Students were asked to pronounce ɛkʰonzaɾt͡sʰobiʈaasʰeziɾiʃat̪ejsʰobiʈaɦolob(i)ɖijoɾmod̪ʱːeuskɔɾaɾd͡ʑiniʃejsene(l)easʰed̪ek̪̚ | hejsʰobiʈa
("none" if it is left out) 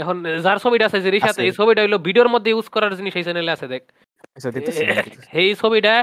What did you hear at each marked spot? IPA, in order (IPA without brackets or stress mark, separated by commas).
i, l